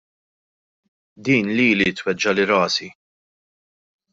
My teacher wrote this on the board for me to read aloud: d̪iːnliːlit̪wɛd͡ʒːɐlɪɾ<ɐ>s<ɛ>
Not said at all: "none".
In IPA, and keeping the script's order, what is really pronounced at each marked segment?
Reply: ɐː, i

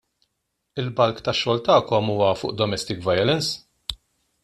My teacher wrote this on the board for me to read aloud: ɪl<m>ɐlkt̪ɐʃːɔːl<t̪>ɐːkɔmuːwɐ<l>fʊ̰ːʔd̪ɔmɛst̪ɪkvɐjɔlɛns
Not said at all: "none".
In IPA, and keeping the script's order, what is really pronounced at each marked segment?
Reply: b, t̪, none

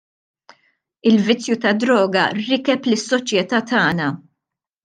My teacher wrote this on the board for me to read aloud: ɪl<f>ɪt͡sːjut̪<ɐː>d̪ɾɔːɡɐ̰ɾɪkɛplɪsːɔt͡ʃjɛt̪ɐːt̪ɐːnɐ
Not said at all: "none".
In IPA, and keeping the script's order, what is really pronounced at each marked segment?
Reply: v, ɐ

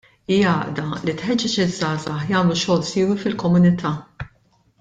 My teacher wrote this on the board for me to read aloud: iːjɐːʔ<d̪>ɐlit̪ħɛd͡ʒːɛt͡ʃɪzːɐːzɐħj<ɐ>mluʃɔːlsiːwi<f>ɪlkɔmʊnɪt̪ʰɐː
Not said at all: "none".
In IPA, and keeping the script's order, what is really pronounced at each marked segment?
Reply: d̪, ɐː, f

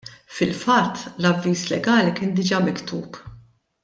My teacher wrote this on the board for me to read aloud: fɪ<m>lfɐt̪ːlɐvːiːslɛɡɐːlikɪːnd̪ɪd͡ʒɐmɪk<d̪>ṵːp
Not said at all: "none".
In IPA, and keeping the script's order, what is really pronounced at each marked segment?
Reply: none, t̪

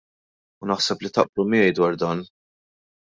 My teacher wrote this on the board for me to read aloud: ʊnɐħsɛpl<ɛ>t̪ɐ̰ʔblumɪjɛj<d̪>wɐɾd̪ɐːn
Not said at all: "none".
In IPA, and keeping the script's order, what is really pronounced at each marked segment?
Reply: i, d̪

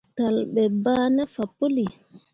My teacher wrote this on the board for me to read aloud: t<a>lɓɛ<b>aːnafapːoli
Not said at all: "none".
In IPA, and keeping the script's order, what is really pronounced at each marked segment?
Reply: a, b

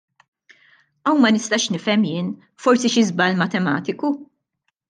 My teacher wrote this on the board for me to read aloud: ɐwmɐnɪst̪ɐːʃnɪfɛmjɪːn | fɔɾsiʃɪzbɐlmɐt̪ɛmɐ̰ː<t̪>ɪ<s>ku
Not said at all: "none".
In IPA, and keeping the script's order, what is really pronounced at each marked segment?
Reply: t̪, none

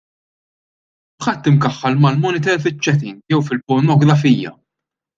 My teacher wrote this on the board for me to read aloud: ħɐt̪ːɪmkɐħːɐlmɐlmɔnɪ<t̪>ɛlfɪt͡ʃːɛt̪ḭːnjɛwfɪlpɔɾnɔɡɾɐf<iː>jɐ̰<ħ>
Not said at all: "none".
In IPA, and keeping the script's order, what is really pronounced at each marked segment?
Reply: t̪, iː, none

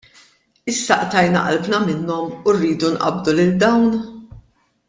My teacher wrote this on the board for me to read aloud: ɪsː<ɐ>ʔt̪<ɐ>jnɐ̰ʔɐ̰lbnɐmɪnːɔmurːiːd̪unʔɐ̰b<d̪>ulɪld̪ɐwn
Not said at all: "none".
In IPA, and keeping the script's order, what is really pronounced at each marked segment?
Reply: ɐ, ɐ, d̪

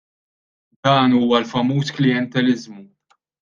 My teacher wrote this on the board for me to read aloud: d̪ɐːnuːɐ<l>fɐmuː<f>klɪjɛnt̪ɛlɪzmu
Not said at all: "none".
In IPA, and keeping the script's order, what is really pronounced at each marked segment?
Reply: l, s

